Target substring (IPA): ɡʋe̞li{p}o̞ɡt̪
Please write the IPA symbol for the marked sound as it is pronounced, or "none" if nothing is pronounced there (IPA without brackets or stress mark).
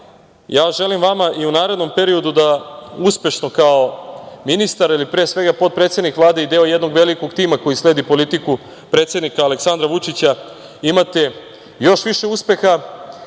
k